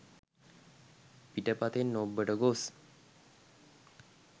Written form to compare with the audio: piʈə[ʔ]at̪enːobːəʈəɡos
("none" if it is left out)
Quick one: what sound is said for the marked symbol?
p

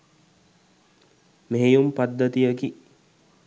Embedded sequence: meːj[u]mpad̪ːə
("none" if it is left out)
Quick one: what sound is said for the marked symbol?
u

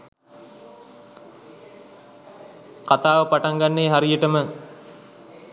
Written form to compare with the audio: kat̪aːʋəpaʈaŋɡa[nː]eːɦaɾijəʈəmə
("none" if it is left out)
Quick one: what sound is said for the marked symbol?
nː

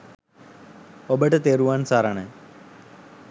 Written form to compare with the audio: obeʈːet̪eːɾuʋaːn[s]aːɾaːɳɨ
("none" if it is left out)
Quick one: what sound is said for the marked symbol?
s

